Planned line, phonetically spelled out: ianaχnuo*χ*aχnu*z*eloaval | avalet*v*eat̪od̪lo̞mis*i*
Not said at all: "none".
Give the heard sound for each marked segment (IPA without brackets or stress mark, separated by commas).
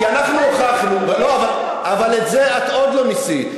χ, v, z, i